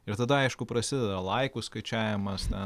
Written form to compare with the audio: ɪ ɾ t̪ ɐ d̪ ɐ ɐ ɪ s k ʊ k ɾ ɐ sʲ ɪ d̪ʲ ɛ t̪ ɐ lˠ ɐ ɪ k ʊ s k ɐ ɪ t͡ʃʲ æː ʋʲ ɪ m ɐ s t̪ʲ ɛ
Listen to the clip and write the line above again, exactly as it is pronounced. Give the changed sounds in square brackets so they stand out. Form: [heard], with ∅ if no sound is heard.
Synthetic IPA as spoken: ɪ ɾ t̪ ɐ d̪ ɐ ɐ ɪ [ʃ] k ʊ [p] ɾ ɐ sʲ ɪ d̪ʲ ɛ [d̪] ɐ lˠ ɐ ɪ k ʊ s k ɐ ɪ t͡ʃʲ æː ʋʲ ɪ m ɐ s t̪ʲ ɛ